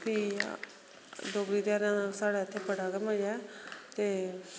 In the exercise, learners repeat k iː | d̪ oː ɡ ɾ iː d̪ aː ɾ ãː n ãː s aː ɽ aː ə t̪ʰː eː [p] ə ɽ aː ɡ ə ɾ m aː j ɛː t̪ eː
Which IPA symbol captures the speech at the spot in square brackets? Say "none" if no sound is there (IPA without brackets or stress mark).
p